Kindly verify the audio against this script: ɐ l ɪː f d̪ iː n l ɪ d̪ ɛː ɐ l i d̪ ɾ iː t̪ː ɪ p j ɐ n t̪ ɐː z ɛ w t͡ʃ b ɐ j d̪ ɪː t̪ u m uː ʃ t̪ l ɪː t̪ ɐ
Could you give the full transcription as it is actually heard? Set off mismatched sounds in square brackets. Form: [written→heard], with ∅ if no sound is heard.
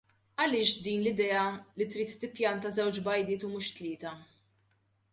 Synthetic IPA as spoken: ɐ l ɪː [f→ʃ] d̪ iː n l ɪ d̪ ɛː ɐ l i [d̪→t̪] ɾ iː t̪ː ɪ p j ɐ n t̪ [ɐː→ɐ] z ɛ w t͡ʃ b ɐ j d̪ ɪː t̪ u m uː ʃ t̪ l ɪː t̪ ɐ